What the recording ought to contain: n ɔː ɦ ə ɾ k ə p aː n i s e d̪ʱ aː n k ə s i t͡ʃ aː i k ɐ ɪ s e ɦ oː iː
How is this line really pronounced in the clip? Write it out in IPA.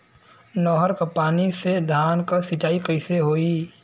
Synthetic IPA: n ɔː ɦ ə ɾ k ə p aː n i s e d̪ʱ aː n k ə s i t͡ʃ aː i k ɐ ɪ s e ɦ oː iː